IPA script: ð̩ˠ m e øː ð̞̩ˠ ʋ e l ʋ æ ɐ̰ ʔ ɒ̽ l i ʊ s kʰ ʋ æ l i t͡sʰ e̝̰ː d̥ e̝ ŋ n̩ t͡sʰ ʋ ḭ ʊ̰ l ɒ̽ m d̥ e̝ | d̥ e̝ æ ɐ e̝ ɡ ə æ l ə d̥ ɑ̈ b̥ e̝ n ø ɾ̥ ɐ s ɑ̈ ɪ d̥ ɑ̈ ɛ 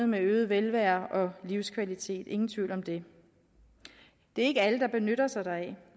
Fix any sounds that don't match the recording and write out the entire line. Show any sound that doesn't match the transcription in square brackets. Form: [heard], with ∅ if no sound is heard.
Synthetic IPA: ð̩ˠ m e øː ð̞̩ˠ ʋ e l ʋ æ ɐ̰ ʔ ɒ̽ l i ʊ s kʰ ʋ æ l i t͡sʰ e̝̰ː d̥ e̝ ŋ n̩ t͡sʰ ʋ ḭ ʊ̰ l ɒ̽ m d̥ e̝ | d̥ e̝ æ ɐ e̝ ɡ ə æ l ə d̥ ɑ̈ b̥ e̝ n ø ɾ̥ ɐ s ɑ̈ ɪ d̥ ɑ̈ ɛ